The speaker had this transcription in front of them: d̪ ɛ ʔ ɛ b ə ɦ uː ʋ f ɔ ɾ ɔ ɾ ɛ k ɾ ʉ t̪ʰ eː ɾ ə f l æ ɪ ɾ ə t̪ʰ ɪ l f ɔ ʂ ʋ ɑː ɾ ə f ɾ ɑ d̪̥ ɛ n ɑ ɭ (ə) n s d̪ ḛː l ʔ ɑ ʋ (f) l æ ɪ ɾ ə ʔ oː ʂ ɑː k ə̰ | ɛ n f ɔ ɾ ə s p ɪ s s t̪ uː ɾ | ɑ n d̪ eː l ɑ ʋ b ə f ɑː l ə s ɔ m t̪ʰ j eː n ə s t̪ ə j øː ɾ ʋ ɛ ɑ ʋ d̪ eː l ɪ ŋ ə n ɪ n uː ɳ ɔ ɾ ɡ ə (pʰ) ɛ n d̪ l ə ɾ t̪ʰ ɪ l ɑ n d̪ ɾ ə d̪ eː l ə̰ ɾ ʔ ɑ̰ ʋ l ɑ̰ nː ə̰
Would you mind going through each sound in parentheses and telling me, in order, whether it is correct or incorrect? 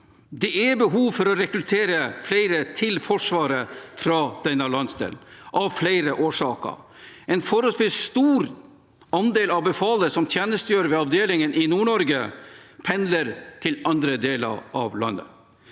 incorrect: ɑ, correct, correct

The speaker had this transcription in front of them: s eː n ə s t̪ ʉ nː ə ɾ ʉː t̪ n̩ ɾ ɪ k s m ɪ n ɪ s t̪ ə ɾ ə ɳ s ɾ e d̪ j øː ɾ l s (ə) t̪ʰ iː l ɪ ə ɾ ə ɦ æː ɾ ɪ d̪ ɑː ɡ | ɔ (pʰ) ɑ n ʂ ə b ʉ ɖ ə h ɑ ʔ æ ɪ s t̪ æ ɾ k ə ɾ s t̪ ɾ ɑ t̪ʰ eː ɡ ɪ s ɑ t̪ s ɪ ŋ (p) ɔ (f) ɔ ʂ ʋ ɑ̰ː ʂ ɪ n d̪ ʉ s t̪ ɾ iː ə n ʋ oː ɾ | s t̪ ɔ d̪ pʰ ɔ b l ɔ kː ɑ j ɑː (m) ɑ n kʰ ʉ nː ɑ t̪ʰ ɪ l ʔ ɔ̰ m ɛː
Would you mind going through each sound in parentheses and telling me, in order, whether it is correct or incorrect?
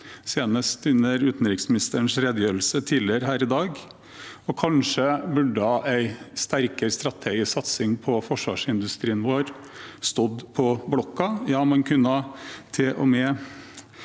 correct, incorrect: kʰ, incorrect: pʰ, correct, correct

